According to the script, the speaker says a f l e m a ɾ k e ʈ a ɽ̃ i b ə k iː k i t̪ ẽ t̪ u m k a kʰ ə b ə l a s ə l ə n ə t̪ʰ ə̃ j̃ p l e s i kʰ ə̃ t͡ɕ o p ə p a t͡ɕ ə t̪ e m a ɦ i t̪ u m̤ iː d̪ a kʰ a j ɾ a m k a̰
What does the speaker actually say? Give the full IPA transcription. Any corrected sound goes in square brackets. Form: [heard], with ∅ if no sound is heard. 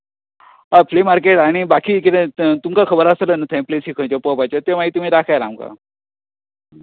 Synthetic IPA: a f l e m a ɾ k e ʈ a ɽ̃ i b [a] k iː k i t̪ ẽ t̪ u m k a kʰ ə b ə [ɾ] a s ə l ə n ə t̪ʰ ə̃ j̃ p l e s i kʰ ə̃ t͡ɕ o p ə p a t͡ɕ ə t̪ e m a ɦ i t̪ u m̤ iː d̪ a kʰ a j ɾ a m k a̰